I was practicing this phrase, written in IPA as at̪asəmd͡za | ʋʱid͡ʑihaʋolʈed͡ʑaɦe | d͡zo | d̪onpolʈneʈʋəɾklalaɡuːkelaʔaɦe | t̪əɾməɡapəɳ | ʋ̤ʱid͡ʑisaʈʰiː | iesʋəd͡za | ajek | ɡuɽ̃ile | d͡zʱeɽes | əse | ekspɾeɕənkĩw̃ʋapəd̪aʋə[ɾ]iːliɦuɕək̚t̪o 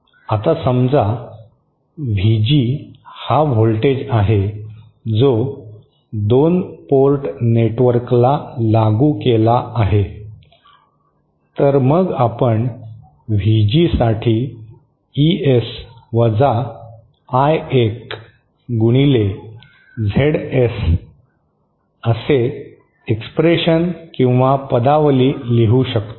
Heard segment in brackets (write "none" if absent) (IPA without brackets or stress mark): l